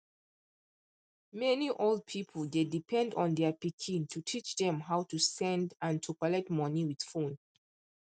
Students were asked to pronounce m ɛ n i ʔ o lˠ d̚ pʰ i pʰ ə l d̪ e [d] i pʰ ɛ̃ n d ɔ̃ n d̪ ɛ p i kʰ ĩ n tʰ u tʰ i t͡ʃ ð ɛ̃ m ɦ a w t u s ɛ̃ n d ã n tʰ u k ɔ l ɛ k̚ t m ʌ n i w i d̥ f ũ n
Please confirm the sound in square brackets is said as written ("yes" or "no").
yes